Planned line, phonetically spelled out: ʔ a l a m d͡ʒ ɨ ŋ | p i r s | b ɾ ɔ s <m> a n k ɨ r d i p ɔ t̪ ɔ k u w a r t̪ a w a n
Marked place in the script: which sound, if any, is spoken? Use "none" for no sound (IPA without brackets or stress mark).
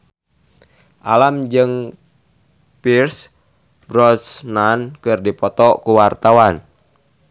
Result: n